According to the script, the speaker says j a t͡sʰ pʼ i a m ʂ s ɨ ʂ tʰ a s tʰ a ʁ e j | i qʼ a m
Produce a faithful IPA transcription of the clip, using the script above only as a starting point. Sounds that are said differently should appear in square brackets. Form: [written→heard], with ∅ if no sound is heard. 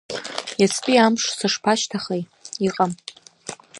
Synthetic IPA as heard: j a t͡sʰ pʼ i a m ʂ s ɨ ʂ [tʰ→pʰ] a [s→ʃ] tʰ a [ʁ→χ] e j | i qʼ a m